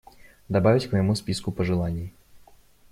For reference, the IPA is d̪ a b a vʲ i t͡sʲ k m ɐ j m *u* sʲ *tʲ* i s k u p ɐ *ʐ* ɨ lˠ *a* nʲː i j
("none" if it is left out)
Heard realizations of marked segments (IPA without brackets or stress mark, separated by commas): u, pʲ, ʐ, a